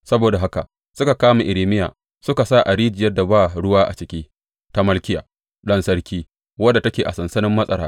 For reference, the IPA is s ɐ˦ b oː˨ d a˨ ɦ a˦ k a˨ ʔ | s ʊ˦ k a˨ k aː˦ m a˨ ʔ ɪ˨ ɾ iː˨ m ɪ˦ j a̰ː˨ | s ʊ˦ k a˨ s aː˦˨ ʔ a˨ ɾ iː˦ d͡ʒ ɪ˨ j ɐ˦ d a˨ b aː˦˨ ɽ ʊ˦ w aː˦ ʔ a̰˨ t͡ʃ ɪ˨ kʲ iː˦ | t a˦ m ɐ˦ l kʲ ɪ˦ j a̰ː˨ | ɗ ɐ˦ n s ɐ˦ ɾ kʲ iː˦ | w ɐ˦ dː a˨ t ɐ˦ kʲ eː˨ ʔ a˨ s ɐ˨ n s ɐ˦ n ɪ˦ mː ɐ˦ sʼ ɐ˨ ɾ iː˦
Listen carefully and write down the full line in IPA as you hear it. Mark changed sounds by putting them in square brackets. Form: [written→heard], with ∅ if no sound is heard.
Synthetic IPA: s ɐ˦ b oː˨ d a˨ ɦ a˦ k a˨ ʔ | s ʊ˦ k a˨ k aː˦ m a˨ ʔ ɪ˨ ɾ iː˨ m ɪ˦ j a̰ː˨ | s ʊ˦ k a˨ s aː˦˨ ʔ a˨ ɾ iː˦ d͡ʒ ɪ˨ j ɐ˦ d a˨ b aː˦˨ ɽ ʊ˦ w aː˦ ʔ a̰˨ t͡ʃ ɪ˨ kʲ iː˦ | t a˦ m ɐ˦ l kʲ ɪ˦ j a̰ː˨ | ɗ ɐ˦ n s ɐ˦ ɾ kʲ iː˦ | w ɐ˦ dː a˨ t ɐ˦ kʲ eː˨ ʔ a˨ s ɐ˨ n s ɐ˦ n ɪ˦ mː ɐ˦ sʼ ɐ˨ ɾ [iː˦→aː˦]